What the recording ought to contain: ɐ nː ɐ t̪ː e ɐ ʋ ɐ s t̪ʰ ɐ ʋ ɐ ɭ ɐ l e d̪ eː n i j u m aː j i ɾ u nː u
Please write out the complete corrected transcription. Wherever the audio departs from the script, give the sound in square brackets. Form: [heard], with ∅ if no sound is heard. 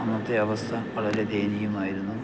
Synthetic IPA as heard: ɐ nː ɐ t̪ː e ɐ ʋ ɐ s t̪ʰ ɐ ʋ ɐ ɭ ɐ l e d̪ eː n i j u m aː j i ɾ u nː u